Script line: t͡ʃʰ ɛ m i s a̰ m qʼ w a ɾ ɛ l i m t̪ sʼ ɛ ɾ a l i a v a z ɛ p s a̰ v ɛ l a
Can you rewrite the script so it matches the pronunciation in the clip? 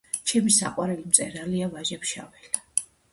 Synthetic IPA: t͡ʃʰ ɛ m i s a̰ qʼ w a ɾ ɛ l i m t̪ sʼ ɛ ɾ a l i a v a ʒ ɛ p ʃ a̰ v ɛ l a

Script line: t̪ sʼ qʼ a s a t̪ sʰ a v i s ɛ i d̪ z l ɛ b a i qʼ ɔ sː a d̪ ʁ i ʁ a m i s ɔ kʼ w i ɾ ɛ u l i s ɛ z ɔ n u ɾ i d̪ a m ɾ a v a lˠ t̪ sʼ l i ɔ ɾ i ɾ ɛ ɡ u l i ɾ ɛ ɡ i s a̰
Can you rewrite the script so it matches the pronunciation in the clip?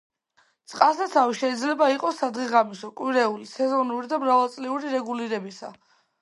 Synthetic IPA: t̪ sʼ qʼ a s a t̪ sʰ a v i ʃ ɛ i d̪ z l ɛ b a i qʼ ɔ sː a d̪ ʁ i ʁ a m i s ɔ kʼ w i ɾ ɛ u l i s ɛ z ɔ n u ɾ i d̪ a m ɾ a v a lˠ t̪ sʼ l i u ɾ i ɾ ɛ ɡ u l i ɾ ɛ b i s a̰

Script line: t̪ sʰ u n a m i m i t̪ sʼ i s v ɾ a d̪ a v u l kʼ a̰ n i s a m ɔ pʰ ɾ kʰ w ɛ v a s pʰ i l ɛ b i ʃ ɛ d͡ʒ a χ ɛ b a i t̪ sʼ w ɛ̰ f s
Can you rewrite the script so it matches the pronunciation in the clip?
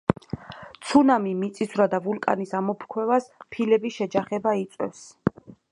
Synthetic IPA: t̪ sʰ u n a m i m i t̪ sʼ i s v ɾ a d̪ a v u l kʼ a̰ n i s a m ɔ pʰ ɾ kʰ w ɛ v a s pʰ i l ɛ b i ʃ ɛ d͡ʒ a χ ɛ b a i t̪ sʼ w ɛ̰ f s

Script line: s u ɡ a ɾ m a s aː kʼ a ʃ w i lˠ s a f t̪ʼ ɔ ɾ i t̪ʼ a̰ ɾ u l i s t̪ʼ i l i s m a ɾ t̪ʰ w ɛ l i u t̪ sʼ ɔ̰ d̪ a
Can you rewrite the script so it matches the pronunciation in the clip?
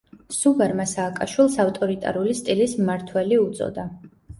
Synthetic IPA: s u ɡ a ɾ m a s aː kʼ a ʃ w i lˠ s a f t̪ʼ ɔ ɾ i t̪ʼ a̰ ɾ u l i s t̪ʼ i l i s m a ɾ t̪ʰ w ɛ l i u t̪ sʼ ɔ̰ d̪ a

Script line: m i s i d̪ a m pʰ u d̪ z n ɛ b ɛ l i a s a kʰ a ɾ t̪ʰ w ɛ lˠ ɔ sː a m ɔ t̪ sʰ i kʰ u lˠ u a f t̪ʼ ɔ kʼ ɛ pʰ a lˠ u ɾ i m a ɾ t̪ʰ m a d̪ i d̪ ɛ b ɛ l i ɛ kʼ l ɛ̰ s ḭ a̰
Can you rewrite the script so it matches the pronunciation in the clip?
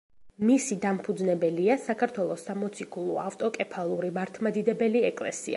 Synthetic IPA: m i s i d̪ a m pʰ u d̪ z n ɛ b ɛ l i a s a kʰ a ɾ t̪ʰ w ɛ lˠ ɔ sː a m ɔ t̪ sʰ i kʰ u lˠ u a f t̪ʼ ɔ kʼ ɛ pʰ a lˠ u ɾ i m a ɾ t̪ʰ m a d̪ i d̪ ɛ b ɛ l i ɛ kʼ l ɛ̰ s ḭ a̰

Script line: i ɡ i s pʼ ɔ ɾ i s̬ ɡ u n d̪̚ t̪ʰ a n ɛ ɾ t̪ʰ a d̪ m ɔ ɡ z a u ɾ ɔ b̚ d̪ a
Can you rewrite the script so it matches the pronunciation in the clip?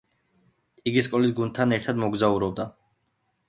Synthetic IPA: i ɡ i s kʼ ɔ l i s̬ ɡ u n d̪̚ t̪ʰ a n ɛ ɾ t̪ʰ a d̪ m ɔ ɡ z a u ɾ ɔ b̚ d̪ a

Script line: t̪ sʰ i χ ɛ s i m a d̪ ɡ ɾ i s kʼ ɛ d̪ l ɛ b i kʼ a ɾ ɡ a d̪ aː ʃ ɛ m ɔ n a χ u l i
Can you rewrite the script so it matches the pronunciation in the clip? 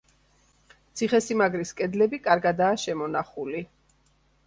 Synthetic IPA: t̪ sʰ i χ ɛ s i m a ɡ ɾ i s kʼ ɛ d̪ l ɛ b i kʼ a ɾ ɡ a d̪ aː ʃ ɛ m ɔ n a χ u l i

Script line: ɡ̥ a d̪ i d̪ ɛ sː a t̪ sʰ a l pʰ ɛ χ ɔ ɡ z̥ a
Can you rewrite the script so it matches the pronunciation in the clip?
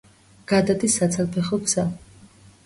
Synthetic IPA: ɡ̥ a d̪ a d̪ i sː a t̪ sʰ a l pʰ ɛ χ ɔ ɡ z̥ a

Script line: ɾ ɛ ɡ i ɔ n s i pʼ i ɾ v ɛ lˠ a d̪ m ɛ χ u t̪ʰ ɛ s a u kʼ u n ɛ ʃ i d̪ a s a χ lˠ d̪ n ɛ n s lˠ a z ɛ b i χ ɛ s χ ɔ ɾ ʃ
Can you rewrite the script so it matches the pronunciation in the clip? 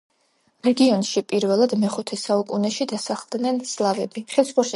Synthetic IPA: ɾ ɛ ɡ i ɔ n ʃ i pʼ i ɾ v ɛ lˠ a d̪ m ɛ χ u t̪ʰ ɛ s a u kʼ u n ɛ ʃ i d̪ a s a χ lˠ d̪ n ɛ n s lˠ a v ɛ b i χ ɛ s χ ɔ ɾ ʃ

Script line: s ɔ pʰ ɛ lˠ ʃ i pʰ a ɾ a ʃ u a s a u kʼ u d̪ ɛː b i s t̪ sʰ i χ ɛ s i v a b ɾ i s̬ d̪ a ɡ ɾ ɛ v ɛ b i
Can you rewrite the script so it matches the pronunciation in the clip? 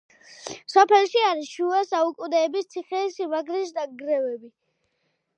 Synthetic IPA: s ɔ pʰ ɛ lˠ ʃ i a ɾ i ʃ u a s a u kʼ u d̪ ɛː b i s t̪ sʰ i χ ɛ s i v a ɡ ɾ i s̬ d̪ a ɡ ɾ ɛ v ɛ b i

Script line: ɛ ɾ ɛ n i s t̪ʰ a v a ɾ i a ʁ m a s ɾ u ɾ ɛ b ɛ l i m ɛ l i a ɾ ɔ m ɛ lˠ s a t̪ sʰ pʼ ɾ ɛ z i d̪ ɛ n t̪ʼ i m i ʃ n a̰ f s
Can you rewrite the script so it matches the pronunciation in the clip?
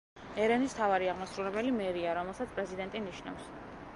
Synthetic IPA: ɛ ɾ ɛ n i s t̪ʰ a v a ɾ i a ʁ m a s ɾ u ɾ ɛ b ɛ l i m ɛ ɾ i a ɾ ɔ m ɛ lˠ s a t̪ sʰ pʼ ɾ ɛ z i d̪ ɛ n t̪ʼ i n i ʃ n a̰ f s

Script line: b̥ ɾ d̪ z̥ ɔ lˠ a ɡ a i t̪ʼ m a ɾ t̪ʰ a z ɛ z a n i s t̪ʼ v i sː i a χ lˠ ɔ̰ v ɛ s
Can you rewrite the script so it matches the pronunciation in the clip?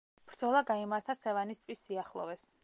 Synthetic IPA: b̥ ɾ d̪ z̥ ɔ lˠ a ɡ a i m a ɾ t̪ʰ a s ɛ v a n i s t̪ʼ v i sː i a χ lˠ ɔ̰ v ɛ s

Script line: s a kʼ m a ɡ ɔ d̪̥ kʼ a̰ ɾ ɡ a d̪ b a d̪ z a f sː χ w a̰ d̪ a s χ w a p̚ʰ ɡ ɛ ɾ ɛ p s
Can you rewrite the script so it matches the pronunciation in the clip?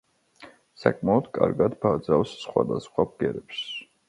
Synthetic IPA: s a kʼ m a ɔ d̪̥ kʼ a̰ ɾ ɡ a d̪ b a d̪ z a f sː χ w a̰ d̪ a s χ w a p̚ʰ ɡ ɛ ɾ ɛ p s

